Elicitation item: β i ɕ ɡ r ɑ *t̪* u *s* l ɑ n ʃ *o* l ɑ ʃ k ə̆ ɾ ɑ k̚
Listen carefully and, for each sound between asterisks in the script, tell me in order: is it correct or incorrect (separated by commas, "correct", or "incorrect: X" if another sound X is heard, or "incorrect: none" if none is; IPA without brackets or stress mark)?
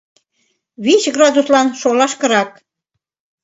incorrect: d̪, correct, correct